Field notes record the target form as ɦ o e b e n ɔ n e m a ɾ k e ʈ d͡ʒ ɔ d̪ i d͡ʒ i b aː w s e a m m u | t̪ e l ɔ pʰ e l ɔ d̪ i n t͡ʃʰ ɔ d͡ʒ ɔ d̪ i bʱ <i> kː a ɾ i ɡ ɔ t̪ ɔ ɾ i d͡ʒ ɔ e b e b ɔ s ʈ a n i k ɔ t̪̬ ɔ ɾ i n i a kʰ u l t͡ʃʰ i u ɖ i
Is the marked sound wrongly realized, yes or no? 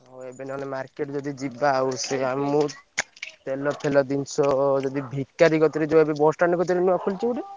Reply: no